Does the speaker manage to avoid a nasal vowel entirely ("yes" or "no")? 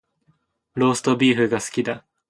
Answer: yes